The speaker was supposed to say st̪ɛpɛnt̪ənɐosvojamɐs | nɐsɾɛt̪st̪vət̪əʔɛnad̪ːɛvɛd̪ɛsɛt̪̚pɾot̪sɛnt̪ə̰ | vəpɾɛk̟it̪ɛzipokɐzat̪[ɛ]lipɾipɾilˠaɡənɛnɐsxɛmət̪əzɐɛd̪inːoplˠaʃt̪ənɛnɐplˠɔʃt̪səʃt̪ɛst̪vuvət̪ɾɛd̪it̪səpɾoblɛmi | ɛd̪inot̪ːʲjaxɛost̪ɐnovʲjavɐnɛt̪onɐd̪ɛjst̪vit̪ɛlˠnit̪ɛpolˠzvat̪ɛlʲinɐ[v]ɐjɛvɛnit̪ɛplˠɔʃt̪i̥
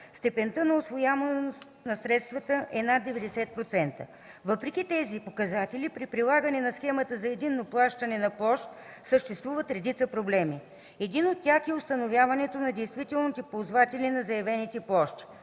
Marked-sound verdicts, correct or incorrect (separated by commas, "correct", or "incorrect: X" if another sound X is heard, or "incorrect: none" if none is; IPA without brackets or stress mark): correct, incorrect: z